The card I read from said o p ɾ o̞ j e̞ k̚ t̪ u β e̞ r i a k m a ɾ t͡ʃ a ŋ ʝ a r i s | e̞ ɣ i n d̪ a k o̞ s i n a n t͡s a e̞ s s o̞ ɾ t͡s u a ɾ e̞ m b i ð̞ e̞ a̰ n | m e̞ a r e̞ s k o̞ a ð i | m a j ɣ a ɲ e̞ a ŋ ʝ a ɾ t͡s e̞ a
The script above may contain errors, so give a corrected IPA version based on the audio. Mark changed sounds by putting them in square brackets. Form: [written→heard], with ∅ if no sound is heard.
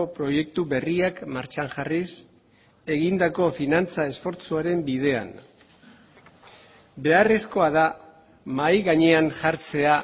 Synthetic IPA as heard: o p ɾ o̞ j e̞ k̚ t̪ u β e̞ r i a k m a ɾ t͡ʃ a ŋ ʝ a r i s | e̞ ɣ i n d̪ a k o̞ [s→f] i n a n t͡s a e̞ s [s→f] o̞ ɾ t͡s u a ɾ e̞ m b i ð̞ e̞ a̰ n | [m→b] e̞ a r e̞ s k o̞ a ð [i→a] | m a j ɣ a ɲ e̞ a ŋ ʝ a ɾ t͡s e̞ a

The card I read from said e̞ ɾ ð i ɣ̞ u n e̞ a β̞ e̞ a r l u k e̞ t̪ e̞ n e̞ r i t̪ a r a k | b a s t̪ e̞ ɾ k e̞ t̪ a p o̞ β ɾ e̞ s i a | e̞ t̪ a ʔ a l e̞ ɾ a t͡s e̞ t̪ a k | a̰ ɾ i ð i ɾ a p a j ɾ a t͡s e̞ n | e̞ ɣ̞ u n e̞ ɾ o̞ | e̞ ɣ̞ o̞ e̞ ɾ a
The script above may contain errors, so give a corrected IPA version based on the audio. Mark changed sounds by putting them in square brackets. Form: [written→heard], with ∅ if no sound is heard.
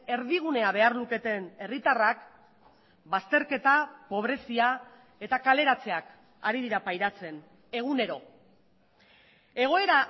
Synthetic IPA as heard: e̞ ɾ ð i ɣ̞ u n e̞ a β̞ e̞ a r l u k e̞ t̪ e̞ n e̞ r i t̪ a r a k | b a s t̪ e̞ ɾ k e̞ t̪ a p o̞ β ɾ e̞ s i a | e̞ t̪ a [ʔ→k] a l e̞ ɾ a t͡s e̞ [t̪→∅] a k | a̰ ɾ i ð i ɾ a p a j ɾ a t͡s e̞ n | e̞ ɣ̞ u n e̞ ɾ o̞ | e̞ ɣ̞ o̞ e̞ ɾ a

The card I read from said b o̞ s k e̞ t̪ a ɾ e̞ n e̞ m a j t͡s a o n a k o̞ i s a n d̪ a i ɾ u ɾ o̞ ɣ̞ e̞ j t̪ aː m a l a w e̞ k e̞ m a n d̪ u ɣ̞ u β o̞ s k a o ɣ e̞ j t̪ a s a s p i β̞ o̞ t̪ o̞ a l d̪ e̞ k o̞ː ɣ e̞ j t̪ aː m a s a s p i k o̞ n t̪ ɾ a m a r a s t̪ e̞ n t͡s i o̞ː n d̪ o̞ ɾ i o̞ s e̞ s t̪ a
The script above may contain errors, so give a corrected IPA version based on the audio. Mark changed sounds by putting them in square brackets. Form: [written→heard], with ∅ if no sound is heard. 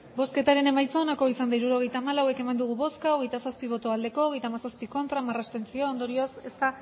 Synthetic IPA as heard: b o̞ s k e̞ t̪ a ɾ e̞ n e̞ m a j t͡s a o n a k o̞ i s a n d̪ a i ɾ u ɾ o̞ ɣ̞ e̞ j t̪ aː m a l a w e̞ k e̞ m a n d̪ u ɣ̞ u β o̞ s k a o ɣ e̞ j t̪ a s a s p i β̞ o̞ t̪ o̞ a l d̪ e̞ k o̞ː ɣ e̞ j t̪ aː m a s a s p i k o̞ n t̪ ɾ a m a r a s t̪ e̞ n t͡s i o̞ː n d̪ o̞ ɾ i o̞ s e̞ s t̪ a

